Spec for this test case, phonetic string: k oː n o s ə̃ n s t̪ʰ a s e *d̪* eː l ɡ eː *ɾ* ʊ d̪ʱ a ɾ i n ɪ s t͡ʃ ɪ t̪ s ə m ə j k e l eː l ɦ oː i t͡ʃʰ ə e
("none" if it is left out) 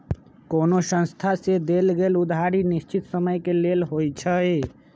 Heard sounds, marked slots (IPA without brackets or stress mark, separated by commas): d̪, l